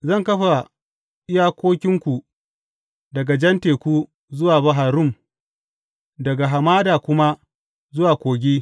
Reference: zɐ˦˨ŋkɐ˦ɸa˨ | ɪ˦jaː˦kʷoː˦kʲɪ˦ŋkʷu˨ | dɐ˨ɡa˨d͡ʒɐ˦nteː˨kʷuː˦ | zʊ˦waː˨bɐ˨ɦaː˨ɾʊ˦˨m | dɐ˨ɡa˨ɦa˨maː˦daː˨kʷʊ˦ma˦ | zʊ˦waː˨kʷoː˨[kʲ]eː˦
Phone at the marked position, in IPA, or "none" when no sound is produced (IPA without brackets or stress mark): ɡʲ